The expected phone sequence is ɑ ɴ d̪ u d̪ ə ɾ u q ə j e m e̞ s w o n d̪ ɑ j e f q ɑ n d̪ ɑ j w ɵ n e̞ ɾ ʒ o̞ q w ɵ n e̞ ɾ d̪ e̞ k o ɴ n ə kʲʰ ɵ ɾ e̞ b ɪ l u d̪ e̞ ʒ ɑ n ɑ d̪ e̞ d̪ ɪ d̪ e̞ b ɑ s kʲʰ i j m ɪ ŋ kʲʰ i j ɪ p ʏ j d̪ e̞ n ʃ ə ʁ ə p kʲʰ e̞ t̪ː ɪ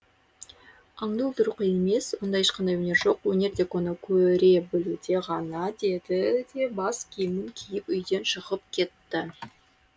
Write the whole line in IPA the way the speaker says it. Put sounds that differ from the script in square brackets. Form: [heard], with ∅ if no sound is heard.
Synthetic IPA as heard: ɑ ɴ d̪ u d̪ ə ɾ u q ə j e m e̞ s w o n d̪ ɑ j e [ʃ] q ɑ n d̪ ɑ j w ɵ n e̞ ɾ ʒ o̞ q w ɵ n e̞ ɾ d̪ e̞ k o [∅] n ə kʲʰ ɵ ɾ e̞ b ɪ l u d̪ e̞ [ʁ] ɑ n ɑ d̪ e̞ d̪ ɪ d̪ e̞ b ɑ s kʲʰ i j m ɪ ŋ kʲʰ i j ɪ p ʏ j d̪ e̞ n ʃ ə ʁ ə p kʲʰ e̞ t̪ː ɪ